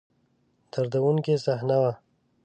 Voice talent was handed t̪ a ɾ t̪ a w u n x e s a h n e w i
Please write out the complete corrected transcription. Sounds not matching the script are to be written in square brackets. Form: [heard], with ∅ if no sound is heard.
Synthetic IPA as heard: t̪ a ɾ [d̪] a w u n [k] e s a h n [a] w [a]